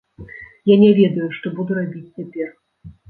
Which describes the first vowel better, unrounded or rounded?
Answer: unrounded